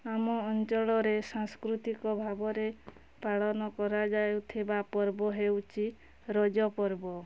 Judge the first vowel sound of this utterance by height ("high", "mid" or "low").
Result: low